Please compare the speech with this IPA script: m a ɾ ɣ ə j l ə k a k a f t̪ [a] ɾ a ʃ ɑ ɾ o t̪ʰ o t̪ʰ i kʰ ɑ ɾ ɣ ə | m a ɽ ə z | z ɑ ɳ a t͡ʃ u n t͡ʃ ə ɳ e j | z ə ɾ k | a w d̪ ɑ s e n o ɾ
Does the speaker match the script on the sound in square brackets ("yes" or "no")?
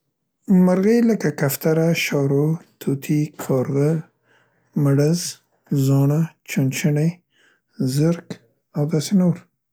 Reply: yes